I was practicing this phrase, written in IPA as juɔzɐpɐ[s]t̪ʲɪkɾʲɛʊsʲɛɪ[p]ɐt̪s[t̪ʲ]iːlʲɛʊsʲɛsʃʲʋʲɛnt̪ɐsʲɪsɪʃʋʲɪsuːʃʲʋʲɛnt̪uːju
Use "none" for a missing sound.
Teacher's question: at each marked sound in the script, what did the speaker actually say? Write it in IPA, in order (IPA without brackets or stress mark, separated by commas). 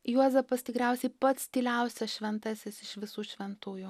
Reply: s, p, t̪ʲ